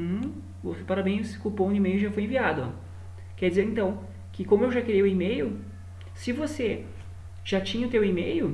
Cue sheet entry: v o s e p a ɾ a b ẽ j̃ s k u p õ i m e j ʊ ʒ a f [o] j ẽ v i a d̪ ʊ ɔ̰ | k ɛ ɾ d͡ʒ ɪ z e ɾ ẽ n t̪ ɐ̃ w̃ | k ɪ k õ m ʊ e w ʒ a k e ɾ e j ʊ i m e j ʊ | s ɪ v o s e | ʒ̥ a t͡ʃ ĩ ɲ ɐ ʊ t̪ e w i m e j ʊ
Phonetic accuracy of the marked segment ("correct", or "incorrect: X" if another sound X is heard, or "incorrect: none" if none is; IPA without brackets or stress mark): correct